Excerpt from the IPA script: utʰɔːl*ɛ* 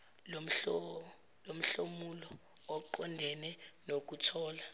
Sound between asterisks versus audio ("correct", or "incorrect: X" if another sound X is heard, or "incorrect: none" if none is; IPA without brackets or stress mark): incorrect: a